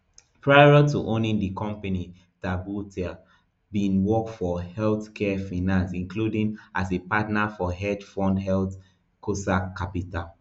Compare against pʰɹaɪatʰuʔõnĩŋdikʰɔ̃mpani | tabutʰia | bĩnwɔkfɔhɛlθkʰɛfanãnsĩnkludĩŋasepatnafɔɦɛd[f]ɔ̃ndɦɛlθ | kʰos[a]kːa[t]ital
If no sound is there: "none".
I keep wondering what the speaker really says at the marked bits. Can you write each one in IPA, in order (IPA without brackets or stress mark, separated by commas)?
f, a, p